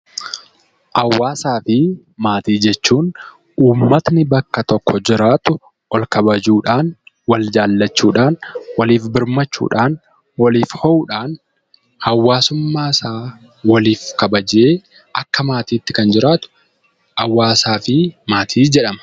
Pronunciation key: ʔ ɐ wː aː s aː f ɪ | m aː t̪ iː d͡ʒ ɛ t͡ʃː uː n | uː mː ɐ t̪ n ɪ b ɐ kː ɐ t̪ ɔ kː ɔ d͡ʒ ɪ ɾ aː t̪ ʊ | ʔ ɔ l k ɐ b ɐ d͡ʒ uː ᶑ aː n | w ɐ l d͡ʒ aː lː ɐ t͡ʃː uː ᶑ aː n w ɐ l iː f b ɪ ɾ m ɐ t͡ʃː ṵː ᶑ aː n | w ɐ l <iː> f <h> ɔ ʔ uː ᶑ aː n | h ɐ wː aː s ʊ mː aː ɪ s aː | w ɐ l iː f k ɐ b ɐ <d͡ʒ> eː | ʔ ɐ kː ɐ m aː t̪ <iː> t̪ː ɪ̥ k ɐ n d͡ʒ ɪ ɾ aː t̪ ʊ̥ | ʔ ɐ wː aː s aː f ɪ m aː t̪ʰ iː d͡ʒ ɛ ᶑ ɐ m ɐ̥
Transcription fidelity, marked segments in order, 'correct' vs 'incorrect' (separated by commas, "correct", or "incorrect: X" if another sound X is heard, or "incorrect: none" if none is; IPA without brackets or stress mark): correct, correct, correct, correct